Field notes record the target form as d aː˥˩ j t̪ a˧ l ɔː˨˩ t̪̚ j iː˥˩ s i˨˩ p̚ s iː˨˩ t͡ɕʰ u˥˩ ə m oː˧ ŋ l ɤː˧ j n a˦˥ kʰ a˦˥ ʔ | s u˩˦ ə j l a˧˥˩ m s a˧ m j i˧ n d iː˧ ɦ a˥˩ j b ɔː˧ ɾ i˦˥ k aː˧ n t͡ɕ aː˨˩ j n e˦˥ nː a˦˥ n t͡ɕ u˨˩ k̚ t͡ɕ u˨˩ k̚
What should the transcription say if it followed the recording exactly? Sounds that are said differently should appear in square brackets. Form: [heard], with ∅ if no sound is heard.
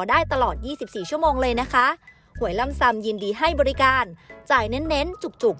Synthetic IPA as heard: d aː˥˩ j t̪ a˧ l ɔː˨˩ t̪̚ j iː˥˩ s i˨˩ p̚ s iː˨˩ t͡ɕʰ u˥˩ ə m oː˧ ŋ l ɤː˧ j n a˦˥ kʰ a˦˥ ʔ | [h] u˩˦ ə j l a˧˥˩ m s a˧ m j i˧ n d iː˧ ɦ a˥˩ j b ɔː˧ ɾ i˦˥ k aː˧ n t͡ɕ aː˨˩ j n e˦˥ nː [e˦˥] n t͡ɕ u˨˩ k̚ t͡ɕ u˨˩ k̚